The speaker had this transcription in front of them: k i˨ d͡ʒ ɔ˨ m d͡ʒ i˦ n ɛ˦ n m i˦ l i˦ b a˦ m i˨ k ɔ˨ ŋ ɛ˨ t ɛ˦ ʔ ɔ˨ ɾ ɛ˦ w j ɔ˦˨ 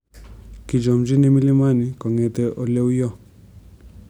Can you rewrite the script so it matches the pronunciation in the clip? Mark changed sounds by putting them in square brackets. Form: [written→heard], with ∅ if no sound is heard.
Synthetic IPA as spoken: k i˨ d͡ʒ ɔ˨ m d͡ʒ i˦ n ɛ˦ [n→∅] m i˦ l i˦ [b→m] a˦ [m→n] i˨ k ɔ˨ ŋ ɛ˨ t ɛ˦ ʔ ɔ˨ [ɾ→l] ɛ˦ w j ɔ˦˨